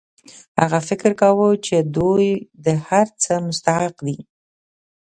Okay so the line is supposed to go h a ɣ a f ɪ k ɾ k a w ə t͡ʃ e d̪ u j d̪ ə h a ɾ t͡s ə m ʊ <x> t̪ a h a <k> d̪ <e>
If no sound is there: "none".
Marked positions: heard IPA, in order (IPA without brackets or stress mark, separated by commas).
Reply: s, q, i